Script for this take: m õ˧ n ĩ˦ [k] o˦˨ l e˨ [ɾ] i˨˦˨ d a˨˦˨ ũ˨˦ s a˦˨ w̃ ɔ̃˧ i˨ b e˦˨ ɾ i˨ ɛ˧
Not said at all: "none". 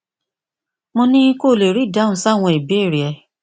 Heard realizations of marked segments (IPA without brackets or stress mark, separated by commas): k, ɾ